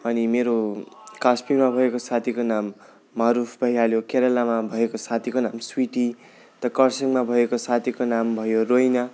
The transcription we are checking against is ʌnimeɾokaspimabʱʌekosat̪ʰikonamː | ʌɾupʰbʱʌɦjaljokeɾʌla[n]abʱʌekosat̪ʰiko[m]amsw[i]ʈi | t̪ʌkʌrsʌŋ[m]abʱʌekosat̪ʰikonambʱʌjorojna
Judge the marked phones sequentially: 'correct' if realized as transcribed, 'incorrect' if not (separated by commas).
incorrect, incorrect, correct, correct